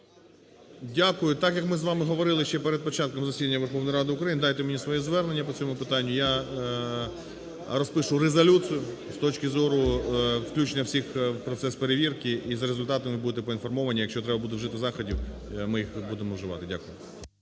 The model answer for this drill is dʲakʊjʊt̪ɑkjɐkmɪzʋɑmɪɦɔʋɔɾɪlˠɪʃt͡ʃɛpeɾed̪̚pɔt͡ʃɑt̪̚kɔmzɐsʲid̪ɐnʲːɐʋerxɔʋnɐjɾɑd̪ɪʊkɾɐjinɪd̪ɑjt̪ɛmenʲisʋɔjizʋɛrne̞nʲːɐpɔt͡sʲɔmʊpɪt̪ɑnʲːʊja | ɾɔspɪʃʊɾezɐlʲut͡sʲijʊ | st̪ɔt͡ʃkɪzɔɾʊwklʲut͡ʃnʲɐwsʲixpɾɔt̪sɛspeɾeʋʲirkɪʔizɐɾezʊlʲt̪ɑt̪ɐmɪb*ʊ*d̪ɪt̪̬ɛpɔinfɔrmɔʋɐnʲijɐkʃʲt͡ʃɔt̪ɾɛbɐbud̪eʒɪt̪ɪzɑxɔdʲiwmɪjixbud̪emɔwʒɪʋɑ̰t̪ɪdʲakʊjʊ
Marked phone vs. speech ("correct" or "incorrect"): incorrect